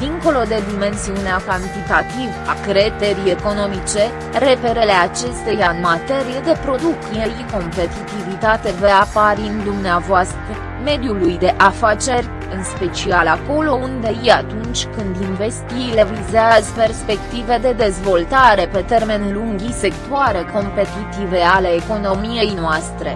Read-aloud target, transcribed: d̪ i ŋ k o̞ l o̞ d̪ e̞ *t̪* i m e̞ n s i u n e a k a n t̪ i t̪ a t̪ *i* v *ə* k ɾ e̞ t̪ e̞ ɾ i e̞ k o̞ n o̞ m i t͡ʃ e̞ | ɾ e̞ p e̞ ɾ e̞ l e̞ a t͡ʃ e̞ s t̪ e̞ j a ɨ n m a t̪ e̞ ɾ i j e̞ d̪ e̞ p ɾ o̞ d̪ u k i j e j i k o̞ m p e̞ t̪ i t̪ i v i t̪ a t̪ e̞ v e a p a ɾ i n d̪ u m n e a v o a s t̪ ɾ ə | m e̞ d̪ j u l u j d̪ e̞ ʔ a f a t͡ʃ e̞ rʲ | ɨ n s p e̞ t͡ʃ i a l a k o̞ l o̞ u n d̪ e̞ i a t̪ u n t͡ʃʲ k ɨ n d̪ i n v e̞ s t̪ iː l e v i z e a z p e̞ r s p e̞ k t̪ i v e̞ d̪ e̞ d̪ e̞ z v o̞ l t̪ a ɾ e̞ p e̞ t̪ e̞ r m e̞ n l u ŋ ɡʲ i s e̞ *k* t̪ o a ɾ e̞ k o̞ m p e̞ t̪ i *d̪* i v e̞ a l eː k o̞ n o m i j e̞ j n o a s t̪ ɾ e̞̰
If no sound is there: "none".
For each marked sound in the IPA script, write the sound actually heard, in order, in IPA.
d̪, i, a, k, t̪

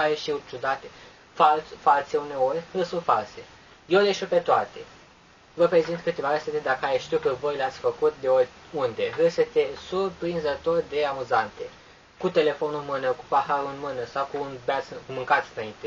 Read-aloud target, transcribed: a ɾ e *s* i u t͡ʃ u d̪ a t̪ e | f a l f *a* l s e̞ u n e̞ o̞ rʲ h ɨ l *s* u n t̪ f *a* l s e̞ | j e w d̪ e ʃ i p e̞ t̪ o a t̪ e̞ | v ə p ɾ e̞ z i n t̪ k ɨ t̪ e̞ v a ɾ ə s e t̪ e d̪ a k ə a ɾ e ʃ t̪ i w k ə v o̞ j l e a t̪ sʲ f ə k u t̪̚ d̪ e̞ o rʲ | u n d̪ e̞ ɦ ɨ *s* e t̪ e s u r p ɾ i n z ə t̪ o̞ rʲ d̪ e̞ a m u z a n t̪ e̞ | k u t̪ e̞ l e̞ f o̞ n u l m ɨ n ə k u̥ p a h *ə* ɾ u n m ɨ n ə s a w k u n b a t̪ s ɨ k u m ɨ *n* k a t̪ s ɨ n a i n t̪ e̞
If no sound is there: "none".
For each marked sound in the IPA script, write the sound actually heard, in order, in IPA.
ʃ, a, s, a, s, a, ŋ

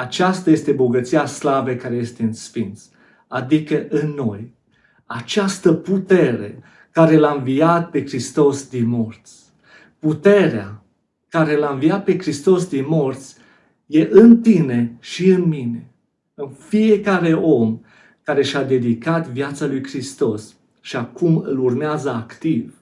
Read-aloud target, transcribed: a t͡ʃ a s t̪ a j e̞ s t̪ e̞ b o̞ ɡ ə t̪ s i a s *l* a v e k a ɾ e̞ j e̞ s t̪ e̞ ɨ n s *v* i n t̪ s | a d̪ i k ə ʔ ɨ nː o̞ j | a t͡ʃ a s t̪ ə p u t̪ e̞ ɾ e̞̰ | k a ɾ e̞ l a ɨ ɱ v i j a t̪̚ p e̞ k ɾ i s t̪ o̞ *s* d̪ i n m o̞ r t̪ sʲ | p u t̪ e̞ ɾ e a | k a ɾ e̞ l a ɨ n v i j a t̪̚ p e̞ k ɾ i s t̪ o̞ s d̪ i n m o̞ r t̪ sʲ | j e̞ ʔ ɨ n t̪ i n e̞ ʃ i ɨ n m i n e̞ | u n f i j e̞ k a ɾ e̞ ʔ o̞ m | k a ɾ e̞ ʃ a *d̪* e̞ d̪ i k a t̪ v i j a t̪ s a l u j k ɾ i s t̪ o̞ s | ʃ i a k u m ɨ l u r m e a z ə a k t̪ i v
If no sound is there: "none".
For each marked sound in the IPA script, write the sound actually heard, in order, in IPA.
l, f, s, d̪

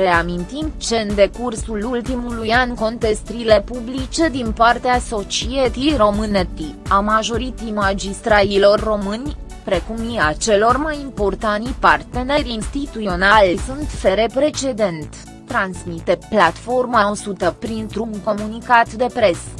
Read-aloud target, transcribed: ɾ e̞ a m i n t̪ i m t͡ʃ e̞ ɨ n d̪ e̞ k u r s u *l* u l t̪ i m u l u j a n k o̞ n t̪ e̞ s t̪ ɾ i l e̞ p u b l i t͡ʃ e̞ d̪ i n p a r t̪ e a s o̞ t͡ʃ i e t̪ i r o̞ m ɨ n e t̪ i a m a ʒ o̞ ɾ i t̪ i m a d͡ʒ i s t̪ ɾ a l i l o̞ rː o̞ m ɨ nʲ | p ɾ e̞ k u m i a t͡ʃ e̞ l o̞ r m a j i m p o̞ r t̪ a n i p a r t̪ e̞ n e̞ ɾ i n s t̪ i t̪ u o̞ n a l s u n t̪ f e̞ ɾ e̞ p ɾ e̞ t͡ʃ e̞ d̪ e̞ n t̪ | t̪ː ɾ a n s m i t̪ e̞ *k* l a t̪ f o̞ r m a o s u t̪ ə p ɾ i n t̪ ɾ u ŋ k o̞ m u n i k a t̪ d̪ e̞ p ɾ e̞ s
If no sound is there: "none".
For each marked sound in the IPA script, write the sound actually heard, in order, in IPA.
l, p

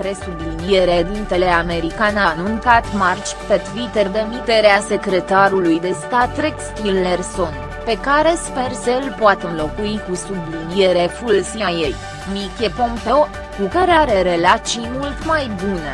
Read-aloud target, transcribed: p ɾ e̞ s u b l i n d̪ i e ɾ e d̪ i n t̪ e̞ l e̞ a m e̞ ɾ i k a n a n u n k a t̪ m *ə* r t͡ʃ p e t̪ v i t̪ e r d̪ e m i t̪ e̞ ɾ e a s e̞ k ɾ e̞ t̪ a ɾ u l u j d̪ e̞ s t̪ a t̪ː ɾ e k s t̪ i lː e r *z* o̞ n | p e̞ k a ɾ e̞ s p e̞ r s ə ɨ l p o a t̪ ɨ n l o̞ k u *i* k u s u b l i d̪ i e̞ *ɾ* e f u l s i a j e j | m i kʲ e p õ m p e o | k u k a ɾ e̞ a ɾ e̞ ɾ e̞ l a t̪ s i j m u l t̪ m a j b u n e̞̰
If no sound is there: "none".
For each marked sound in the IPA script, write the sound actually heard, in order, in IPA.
a, s, i, ɾ

